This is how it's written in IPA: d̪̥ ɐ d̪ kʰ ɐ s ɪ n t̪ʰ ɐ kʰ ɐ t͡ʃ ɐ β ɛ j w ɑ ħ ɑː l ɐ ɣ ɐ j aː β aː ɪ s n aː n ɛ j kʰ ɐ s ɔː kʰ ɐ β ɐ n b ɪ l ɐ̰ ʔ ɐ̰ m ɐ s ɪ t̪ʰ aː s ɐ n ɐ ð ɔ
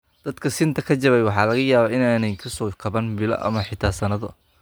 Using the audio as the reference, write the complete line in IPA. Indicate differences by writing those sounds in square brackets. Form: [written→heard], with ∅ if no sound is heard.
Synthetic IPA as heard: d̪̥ ɐ d̪ kʰ ɐ s ɪ n t̪ʰ ɐ kʰ ɐ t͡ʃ ɐ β ɛ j w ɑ ħ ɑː l ɐ ɣ ɐ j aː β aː ɪ [s→∅] n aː n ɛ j kʰ ɐ s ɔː kʰ ɐ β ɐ n b ɪ l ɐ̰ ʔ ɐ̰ m ɐ [s→ħ] ɪ t̪ʰ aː s ɐ n ɐ ð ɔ

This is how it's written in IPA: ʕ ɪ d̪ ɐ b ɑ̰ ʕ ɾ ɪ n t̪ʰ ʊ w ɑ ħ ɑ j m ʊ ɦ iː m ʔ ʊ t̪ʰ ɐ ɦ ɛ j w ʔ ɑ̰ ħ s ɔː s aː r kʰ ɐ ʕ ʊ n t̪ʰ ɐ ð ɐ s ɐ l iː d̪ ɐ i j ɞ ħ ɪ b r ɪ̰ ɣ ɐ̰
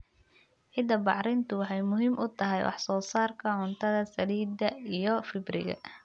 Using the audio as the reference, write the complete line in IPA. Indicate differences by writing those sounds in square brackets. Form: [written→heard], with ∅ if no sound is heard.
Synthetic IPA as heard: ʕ ɪ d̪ ɐ b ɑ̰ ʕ ɾ ɪ n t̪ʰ ʊ w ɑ ħ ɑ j m ʊ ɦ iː m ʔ ʊ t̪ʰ ɐ ɦ ɛ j w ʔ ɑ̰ ħ s ɔː s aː r kʰ ɐ ʕ ʊ n t̪ʰ ɐ ð ɐ s ɐ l iː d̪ ɐ i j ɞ [ħ→f] ɪ b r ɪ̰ ɣ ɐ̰

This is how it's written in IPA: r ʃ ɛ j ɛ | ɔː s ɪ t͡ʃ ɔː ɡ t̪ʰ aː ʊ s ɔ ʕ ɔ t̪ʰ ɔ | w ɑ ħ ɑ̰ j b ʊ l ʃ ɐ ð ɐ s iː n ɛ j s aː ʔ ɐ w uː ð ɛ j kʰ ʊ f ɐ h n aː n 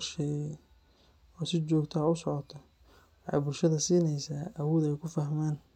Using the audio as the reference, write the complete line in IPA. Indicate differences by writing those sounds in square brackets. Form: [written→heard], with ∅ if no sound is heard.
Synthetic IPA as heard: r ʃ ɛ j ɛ | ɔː s ɪ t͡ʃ ɔː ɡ t̪ʰ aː ʊ s ɔ ʕ ɔ t̪ʰ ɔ | w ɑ ħ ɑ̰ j b ʊ l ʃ ɐ ð ɐ s iː n ɛ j s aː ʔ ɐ w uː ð ɛ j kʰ ʊ f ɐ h [n→m] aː n

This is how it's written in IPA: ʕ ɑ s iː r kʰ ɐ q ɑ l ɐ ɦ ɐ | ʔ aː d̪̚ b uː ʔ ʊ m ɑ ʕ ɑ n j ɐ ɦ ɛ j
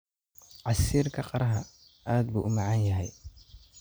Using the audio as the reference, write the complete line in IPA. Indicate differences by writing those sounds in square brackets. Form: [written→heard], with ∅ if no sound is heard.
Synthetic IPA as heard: ʕ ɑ s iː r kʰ ɐ q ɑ [l→ɾ] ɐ ɦ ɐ | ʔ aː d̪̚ b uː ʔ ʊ m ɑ ʕ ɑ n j ɐ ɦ ɛ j

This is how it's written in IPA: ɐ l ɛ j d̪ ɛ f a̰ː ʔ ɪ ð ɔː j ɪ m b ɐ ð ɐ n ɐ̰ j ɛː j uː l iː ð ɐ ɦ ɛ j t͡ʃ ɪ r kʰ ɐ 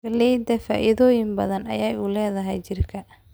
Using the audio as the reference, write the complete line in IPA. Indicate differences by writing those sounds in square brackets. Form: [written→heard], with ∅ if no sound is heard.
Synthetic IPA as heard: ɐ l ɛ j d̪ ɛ f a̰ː ʔ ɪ ð ɔː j ɪ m b ɐ ð ɐ n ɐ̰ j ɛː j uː l [iː→ɛː] ð ɐ ɦ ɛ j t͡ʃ ɪ r kʰ ɐ

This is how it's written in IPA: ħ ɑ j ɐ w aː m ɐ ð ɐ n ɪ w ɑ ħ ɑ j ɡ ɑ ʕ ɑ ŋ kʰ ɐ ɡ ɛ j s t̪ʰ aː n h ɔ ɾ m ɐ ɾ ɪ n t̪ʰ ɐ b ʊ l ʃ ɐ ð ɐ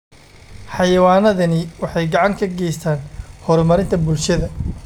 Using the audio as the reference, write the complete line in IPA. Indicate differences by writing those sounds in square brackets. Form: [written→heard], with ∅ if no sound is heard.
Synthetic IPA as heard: ħ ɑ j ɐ w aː [m→n] ɐ ð ɐ n ɪ w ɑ ħ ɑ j ɡ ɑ ʕ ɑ ŋ kʰ ɐ ɡ ɛ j s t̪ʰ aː n h ɔ ɾ m ɐ ɾ ɪ n t̪ʰ ɐ b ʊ l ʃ ɐ ð ɐ

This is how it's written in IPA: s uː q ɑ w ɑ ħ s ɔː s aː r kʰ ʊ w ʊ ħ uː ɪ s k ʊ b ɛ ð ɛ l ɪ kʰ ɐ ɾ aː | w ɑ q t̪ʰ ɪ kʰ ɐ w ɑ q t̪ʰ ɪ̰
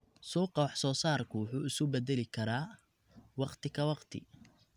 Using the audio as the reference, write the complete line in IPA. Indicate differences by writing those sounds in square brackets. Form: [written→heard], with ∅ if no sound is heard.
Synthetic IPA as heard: s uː q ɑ w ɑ ħ s ɔː s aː r kʰ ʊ w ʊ ħ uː ɪ s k ʊ b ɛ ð ɛ l ɪ kʰ ɐ ɾ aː | w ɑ q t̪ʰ ɪ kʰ ɐ w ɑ q t̪ʰ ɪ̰

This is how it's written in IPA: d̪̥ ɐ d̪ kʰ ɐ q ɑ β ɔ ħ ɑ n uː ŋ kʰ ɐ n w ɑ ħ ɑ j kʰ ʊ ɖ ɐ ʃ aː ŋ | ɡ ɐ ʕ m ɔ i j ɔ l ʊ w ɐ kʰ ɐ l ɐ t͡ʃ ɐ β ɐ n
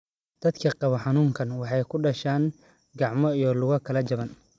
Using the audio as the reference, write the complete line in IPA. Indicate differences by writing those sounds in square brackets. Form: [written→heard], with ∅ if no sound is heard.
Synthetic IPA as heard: d̪̥ ɐ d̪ kʰ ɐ q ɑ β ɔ ħ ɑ n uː ŋ kʰ ɐ n w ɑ ħ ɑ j kʰ ʊ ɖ ɐ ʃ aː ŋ | ɡ [ɐ→ɑ] ʕ m ɔ i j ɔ l ʊ [w→ɣ] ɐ kʰ ɐ l ɐ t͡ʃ ɐ β ɐ n

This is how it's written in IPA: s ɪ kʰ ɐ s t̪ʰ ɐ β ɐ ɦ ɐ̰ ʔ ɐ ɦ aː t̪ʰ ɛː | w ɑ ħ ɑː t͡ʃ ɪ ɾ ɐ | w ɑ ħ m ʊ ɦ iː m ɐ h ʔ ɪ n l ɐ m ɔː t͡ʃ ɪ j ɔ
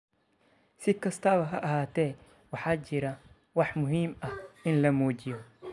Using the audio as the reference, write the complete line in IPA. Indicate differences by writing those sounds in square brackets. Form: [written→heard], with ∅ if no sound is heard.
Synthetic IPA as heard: s ɪ kʰ ɐ s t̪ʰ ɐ β ɐ ɦ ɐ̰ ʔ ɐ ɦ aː t̪ʰ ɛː | w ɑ ħ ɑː t͡ʃ ɪ ɾ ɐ | w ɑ ħ m ʊ ɦ iː m ɐ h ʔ ɪ n l ɐ m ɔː t͡ʃ ɪ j ɔ

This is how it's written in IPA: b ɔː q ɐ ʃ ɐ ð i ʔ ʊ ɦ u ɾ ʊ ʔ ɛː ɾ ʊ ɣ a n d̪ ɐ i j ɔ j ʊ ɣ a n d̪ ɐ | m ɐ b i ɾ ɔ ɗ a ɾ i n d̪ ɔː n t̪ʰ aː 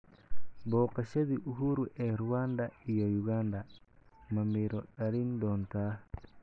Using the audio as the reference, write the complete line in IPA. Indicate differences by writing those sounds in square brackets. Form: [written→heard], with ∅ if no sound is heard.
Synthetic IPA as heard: b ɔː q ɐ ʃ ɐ ð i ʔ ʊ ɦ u ɾ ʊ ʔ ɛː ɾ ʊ [ɣ→w] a n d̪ ɐ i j ɔ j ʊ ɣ a n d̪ ɐ | m ɐ [b→m] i ɾ ɔ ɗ [a→ɐ] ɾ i n d̪ ɔː n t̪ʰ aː

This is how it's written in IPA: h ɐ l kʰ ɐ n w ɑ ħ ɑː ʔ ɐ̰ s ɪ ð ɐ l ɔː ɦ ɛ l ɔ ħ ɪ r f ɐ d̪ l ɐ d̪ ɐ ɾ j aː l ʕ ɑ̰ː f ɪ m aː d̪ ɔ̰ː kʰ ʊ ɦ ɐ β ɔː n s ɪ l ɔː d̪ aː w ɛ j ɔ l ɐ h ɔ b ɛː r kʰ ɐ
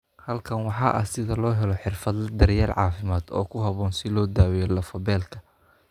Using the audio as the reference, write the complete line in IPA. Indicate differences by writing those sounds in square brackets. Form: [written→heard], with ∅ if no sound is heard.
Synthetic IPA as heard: h ɐ l kʰ ɐ n w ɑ ħ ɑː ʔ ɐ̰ s ɪ ð ɐ l ɔː ɦ ɛ l ɔ ħ ɪ r f ɐ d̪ l ɐ d̪ ɐ ɾ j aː l ʕ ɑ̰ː f ɪ m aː d̪ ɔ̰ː kʰ ʊ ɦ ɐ β ɔː n s ɪ l ɔː d̪ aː w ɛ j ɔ l ɐ [h→f] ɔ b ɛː [r→l] kʰ ɐ

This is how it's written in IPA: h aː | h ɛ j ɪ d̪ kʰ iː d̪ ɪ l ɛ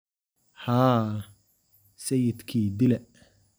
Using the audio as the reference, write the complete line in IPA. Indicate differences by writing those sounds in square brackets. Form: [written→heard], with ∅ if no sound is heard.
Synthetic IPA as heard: h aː | [h→s] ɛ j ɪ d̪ kʰ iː d̪ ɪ l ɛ

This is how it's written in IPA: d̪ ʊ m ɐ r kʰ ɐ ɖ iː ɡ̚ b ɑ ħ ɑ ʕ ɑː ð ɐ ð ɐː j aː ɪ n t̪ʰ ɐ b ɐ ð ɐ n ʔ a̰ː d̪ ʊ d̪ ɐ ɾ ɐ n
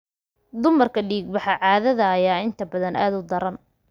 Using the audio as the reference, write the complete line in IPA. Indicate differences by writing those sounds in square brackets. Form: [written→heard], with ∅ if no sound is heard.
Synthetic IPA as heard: d̪ ʊ m ɐ r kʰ ɐ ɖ iː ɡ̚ b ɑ ħ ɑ ʕ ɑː ð ɐ ð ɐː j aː ɪ n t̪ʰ ɐ b ɐ ð ɐ n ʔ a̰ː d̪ ʊ d̪ ɐ ɾ ɐ n

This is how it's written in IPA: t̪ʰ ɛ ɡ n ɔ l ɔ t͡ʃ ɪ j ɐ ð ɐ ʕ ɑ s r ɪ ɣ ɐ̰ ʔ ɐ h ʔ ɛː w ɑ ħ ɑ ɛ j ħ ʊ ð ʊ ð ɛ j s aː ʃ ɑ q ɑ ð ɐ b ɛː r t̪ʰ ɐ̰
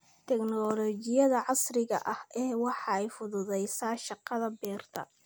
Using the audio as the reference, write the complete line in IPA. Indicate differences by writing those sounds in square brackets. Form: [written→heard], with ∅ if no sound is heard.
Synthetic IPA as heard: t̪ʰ ɛ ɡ n ɔ l ɔ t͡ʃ ɪ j ɐ ð ɐ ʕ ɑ s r ɪ ɣ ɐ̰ ʔ ɐ h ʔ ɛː w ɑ ħ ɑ ɛ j [ħ→f] ʊ ð ʊ ð ɛ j s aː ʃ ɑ q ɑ ð ɐ b ɛː r t̪ʰ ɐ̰

